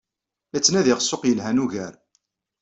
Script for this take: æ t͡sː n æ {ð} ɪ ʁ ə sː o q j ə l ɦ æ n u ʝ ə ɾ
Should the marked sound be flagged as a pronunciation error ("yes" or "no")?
no